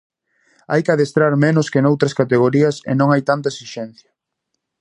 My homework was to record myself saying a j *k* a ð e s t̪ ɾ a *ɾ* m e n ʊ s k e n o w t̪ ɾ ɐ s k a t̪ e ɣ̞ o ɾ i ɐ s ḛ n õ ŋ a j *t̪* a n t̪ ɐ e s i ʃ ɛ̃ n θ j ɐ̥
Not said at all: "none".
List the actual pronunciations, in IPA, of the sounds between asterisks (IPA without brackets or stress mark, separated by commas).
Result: k, ɾ, t̪